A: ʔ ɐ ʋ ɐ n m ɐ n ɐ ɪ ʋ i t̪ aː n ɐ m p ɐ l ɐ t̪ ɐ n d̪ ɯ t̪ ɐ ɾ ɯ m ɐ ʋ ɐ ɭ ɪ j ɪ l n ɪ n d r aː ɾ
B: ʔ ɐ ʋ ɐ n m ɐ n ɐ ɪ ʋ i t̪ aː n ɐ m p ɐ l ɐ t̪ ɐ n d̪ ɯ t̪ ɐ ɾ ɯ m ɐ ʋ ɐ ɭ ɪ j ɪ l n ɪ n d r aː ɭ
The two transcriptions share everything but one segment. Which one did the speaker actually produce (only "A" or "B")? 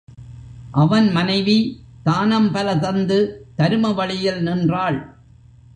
B